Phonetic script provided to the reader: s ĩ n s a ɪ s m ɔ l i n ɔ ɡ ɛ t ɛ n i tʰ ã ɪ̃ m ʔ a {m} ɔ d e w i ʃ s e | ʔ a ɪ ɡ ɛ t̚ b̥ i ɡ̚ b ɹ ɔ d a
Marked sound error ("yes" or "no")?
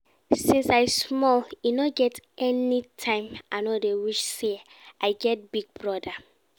yes